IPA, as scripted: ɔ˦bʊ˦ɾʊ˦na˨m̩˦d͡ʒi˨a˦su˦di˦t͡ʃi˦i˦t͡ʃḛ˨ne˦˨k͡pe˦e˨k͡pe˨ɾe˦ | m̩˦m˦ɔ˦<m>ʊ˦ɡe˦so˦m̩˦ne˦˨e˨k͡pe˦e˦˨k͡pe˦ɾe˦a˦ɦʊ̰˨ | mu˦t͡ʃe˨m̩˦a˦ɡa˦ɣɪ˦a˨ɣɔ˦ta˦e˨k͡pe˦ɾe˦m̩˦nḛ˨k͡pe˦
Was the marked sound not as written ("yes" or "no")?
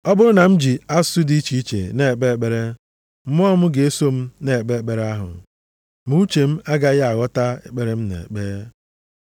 no